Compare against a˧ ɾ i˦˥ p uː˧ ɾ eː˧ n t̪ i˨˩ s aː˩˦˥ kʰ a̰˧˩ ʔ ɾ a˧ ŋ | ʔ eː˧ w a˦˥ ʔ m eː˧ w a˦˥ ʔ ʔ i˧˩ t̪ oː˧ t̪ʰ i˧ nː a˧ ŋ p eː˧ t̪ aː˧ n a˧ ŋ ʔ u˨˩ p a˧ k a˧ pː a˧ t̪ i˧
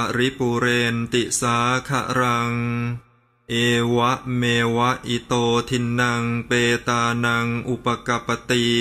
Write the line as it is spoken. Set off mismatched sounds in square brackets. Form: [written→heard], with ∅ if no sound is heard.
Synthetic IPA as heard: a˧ ɾ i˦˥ p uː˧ ɾ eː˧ n t̪ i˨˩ s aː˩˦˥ kʰ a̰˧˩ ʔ ɾ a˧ ŋ | ʔ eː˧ w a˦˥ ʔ m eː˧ w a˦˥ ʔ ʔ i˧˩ t̪ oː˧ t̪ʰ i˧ nː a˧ ŋ p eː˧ t̪ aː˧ n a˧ ŋ ʔ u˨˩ p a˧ k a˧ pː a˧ t̪ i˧